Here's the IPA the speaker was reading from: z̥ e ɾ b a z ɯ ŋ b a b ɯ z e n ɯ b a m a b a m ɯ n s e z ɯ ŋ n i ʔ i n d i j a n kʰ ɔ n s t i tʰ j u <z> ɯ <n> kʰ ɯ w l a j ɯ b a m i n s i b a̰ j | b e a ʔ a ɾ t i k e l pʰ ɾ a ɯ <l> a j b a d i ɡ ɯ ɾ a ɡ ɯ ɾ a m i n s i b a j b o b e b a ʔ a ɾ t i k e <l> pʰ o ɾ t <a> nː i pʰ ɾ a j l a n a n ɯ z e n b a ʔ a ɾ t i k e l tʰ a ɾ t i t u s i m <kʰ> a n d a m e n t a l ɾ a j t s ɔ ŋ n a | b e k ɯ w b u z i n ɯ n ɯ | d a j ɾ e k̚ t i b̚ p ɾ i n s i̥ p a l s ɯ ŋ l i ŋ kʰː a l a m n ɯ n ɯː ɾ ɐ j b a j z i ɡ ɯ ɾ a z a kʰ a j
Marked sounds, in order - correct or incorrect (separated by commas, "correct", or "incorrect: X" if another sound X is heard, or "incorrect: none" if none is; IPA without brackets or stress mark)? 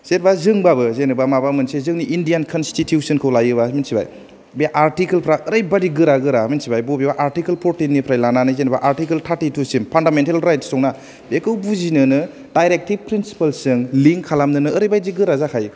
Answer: incorrect: s, correct, incorrect: ɾ, correct, incorrect: i, incorrect: pʰ